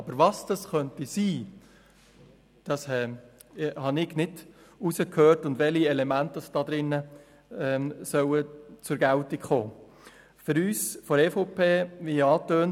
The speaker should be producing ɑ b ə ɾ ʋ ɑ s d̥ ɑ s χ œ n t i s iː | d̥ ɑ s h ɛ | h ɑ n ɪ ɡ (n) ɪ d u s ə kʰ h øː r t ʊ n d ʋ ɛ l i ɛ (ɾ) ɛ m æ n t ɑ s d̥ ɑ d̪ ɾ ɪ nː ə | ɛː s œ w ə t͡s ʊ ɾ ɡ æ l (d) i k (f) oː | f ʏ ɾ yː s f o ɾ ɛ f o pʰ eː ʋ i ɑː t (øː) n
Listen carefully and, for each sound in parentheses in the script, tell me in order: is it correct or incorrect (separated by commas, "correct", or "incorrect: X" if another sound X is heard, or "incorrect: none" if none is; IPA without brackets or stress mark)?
correct, incorrect: l, incorrect: t, incorrect: χ, correct